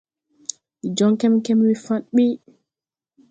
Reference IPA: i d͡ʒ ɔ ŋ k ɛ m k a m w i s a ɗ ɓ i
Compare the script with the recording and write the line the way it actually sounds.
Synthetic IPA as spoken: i d͡ʒ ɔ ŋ k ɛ m k ɛ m w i f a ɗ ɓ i